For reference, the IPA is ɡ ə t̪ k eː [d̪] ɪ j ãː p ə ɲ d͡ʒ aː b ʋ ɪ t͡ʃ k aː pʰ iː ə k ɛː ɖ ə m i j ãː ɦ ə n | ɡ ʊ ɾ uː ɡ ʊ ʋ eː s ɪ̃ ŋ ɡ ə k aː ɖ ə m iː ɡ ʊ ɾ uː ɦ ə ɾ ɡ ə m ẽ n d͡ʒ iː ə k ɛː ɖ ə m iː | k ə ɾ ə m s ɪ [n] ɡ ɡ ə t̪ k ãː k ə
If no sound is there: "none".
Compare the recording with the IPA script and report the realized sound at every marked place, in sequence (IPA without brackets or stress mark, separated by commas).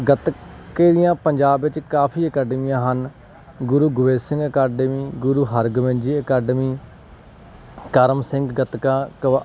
d̪, ŋ